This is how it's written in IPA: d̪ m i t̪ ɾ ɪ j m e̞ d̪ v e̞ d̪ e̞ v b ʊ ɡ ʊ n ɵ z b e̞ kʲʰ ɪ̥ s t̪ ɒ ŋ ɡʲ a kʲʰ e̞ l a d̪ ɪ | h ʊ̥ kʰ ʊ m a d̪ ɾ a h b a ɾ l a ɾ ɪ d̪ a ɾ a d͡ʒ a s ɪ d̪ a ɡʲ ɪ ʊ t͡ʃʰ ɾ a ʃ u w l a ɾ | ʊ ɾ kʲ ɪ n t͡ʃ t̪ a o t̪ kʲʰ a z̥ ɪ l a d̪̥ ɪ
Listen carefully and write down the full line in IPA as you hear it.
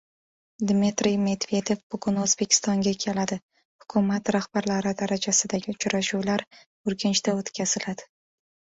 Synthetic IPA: d̪ m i t̪ ɾ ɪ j m e̞ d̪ v e̞ d̪ e̞ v b ʊ ɡ ʊ n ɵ z b e̞ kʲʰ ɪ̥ s t̪ ɒ ŋ ɡʲ a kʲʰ e̞ l a d̪ ɪ | h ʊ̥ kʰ ʊ m a t̪ ɾ a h b a ɾ l a ɾ ɪ d̪ a ɾ a d͡ʒ a s ɪ d̪ a ɡʲ ɪ ʊ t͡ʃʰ ɾ a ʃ u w l a ɾ | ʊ ɾ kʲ ɪ n t͡ʃ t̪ a o t̪ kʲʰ a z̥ ɪ l a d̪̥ ɪ